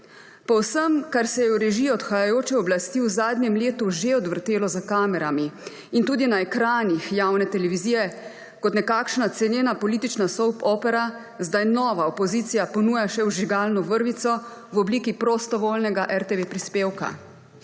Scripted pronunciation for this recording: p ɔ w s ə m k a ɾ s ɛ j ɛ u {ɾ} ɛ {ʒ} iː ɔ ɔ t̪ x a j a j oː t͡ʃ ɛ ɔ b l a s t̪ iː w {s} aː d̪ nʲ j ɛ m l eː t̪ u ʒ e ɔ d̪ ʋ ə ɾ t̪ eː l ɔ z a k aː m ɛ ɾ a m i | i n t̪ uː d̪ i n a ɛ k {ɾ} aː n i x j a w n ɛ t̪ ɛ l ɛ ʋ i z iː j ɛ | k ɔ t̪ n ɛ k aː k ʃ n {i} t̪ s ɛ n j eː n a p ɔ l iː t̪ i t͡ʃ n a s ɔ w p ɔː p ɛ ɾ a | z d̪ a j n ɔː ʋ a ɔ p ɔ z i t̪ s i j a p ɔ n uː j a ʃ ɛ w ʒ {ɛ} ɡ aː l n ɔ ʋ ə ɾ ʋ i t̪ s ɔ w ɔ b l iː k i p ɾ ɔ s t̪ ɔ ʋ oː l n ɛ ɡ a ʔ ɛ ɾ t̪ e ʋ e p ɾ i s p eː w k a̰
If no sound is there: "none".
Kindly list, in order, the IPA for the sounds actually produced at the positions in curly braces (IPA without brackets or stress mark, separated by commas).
ɾ, ʒ, z, ɾ, a, i